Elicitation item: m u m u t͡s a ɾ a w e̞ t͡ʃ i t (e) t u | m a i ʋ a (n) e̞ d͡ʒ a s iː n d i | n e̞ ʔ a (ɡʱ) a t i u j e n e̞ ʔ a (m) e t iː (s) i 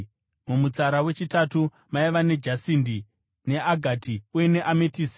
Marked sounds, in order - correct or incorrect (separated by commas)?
incorrect, correct, correct, correct, correct